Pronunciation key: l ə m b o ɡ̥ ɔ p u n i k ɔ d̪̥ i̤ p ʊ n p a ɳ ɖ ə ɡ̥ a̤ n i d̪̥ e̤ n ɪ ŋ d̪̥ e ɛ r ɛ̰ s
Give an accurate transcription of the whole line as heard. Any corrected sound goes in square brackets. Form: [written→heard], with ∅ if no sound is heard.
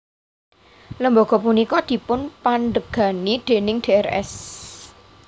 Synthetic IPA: l ə m b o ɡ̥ ɔ p u n i k ɔ d̪̥ i̤ p ʊ n p a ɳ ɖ ə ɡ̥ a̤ n i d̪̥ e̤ n ɪ ŋ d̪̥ e ɛ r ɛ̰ s